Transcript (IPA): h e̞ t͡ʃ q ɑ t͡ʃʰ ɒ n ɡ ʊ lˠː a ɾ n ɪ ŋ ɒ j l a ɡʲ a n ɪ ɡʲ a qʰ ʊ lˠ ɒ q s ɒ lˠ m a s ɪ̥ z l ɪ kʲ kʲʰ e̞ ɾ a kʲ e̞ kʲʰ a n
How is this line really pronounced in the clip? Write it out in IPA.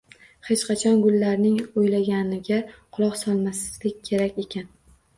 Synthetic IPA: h e̞ t͡ʃ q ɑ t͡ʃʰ ɒ n ɡ ʊ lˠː a ɾ n ɪ ŋ o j l a ɡʲ a n ɪ ɡʲ a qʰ ʊ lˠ ɒ q s ɒ lˠ m a s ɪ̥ z l ɪ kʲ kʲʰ e̞ ɾ a kʲ e̞ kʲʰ a n